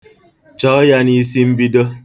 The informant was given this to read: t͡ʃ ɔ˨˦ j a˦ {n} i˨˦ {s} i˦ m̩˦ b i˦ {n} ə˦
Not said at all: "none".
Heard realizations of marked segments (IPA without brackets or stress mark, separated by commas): n, s, d